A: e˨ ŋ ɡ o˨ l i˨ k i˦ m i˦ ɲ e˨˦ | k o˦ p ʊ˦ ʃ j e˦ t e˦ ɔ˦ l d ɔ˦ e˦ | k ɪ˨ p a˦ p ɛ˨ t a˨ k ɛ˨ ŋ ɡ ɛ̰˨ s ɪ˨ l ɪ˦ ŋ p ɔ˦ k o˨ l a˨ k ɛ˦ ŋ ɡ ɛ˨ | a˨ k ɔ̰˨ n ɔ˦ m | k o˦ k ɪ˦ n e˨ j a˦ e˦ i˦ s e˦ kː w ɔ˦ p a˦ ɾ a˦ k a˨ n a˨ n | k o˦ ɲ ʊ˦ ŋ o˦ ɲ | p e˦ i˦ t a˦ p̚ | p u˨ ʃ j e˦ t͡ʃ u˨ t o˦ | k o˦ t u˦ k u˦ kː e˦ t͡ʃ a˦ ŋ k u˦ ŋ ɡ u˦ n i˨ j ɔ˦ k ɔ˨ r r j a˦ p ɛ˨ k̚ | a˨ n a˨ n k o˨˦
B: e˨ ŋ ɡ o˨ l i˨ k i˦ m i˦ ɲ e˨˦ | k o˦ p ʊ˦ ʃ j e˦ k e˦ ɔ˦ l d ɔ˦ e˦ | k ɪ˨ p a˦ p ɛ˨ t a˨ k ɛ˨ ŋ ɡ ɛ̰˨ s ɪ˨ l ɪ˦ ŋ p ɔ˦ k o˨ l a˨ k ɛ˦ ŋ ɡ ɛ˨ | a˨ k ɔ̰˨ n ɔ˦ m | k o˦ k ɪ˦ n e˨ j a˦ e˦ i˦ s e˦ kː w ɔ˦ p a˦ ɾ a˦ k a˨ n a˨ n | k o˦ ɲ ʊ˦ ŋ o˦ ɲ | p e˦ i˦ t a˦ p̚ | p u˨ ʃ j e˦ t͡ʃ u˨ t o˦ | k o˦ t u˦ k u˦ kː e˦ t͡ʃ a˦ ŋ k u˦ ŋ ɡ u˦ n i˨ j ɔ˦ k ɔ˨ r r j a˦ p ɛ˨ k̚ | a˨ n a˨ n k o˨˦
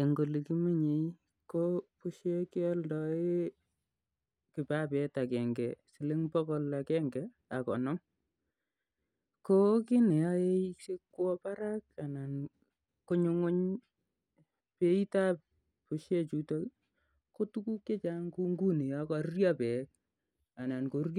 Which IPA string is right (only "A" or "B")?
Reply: B